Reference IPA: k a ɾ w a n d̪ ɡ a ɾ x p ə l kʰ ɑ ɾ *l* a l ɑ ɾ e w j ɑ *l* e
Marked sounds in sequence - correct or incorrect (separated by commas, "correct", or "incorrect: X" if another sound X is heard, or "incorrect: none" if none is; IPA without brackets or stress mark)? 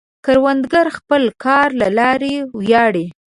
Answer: correct, incorrect: ɽ